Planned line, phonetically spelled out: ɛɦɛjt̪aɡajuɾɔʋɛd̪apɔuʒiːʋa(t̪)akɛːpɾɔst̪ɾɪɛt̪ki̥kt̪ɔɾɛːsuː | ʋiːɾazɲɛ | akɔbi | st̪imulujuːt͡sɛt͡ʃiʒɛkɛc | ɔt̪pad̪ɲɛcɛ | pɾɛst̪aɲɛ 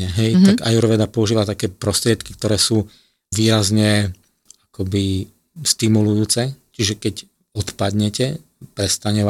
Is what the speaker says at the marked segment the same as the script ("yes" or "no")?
yes